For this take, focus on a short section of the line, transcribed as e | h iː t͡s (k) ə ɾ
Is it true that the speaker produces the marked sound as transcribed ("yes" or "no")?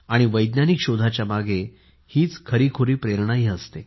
no